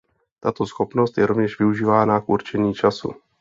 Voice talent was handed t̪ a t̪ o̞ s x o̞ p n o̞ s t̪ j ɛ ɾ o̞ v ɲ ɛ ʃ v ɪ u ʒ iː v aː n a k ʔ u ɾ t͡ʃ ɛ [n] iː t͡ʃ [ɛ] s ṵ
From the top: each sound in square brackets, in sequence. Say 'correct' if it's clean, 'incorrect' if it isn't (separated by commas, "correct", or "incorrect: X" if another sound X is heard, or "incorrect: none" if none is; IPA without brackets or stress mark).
incorrect: ɲ, incorrect: a